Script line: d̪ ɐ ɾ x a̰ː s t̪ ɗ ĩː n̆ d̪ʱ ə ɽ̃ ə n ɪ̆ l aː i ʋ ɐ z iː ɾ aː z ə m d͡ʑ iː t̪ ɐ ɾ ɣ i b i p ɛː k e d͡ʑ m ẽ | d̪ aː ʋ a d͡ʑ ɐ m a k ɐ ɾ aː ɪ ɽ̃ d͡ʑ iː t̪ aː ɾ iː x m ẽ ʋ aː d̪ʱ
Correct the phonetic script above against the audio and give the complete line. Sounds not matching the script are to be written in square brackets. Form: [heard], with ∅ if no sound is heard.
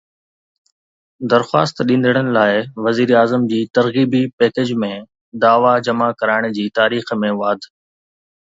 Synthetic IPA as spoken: d̪ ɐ ɾ x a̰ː s t̪ ɗ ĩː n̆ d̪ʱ ə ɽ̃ ə n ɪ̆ l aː [ɪ] ʋ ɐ z iː ɾ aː z ə m d͡ʑ iː t̪ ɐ ɾ ɣ [iː] b i p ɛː k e d͡ʑ m ẽ | d̪ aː ʋ a d͡ʑ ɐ m a k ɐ ɾ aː ɪ ɽ̃ d͡ʑ iː t̪ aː ɾ iː x m ẽ ʋ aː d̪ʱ